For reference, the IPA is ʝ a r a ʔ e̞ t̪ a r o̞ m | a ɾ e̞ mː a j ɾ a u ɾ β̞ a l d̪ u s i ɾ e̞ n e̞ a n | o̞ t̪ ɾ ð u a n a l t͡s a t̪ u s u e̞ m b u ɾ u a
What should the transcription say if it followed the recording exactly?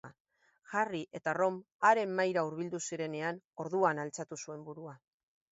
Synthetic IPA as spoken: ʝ a r i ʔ e̞ t̪ a r o̞ m | a ɾ e̞ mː a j ɾ a u ɾ β̞ i l d̪ u s i ɾ e̞ n e̞ a n | o̞ ɾ ð u a n a l t͡s a t̪ u s u e̞ m b u ɾ u a